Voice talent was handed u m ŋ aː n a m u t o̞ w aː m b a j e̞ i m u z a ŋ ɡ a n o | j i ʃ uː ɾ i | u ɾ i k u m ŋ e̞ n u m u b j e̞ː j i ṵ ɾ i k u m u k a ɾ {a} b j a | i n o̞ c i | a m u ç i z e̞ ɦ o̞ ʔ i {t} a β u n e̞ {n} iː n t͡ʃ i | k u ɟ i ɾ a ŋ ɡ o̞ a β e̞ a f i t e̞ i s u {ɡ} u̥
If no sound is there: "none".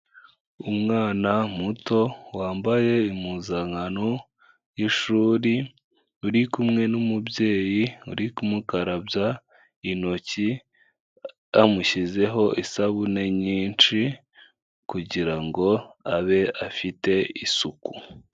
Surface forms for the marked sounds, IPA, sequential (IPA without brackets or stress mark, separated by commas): a, s, ɲ, k